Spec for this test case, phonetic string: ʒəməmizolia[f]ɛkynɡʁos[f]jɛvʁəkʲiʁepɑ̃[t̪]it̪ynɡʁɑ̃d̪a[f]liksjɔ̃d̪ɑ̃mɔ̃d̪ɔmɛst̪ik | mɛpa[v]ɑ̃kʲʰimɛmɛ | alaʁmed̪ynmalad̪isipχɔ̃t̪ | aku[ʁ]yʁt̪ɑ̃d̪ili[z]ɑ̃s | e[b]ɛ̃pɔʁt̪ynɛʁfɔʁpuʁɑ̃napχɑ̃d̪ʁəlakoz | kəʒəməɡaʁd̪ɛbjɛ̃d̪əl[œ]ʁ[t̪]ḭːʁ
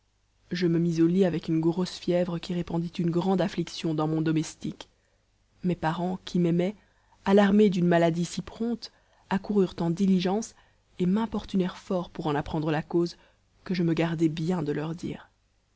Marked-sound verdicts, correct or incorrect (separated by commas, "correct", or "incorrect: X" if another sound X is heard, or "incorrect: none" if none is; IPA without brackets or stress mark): incorrect: v, correct, incorrect: d̪, correct, incorrect: ʁ, correct, incorrect: ʒ, incorrect: m, correct, incorrect: d̪